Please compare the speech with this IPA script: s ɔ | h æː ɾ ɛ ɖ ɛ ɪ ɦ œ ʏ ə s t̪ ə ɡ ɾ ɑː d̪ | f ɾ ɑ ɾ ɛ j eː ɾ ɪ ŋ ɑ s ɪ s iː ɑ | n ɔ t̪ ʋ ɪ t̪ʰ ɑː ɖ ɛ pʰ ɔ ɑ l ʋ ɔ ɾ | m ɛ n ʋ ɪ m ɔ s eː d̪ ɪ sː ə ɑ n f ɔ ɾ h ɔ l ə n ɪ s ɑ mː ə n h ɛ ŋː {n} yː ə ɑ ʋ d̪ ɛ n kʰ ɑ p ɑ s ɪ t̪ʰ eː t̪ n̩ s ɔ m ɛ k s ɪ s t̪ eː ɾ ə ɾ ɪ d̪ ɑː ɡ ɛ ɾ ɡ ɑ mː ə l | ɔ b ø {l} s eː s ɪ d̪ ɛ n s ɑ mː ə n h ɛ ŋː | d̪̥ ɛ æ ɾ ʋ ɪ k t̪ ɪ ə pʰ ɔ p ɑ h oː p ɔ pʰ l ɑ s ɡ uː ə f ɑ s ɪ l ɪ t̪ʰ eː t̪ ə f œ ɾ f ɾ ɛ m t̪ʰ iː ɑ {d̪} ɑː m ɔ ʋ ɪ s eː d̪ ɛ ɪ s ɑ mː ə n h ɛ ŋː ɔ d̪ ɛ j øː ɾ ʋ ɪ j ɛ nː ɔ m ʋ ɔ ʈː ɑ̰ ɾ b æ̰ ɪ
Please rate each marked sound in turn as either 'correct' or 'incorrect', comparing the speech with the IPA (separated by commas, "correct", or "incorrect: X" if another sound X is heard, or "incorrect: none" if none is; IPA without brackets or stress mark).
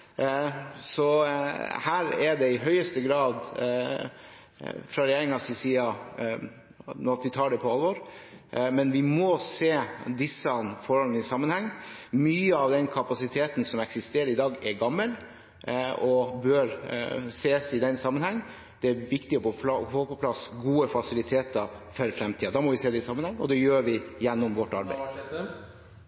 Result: incorrect: m, incorrect: ɾ, correct